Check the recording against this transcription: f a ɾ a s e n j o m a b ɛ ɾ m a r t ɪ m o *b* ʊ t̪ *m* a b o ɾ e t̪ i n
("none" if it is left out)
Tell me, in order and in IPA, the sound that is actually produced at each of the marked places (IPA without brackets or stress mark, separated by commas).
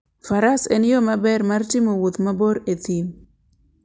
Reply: w, m